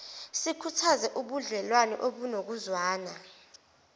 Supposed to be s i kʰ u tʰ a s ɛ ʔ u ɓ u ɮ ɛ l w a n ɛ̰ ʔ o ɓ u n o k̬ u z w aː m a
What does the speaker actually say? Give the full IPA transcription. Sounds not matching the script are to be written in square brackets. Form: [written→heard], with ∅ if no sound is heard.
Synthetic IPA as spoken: s i kʰ u tʰ a [s→z] ɛ ʔ u ɓ u ɮ ɛ l w a n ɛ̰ ʔ o ɓ u n o k̬ u z w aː [m→n] a